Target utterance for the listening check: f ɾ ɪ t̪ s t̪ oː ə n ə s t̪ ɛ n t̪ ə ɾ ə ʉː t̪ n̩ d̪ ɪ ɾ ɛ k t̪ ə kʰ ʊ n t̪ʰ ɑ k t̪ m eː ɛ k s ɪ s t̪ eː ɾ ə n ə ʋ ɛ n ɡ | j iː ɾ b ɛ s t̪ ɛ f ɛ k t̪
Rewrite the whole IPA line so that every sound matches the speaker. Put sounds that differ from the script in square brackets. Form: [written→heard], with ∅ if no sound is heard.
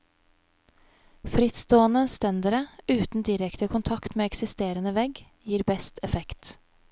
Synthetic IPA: f ɾ ɪ t̪ s t̪ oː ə n ə s t̪ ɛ n [t̪→d̪] ə ɾ ə ʉː t̪ n̩ d̪ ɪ ɾ ɛ k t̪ ə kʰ ʊ n t̪ʰ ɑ k t̪ m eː ɛ k s ɪ s t̪ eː ɾ ə n ə ʋ ɛ [n→∅] ɡ | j iː ɾ b ɛ s t̪ ɛ f ɛ k t̪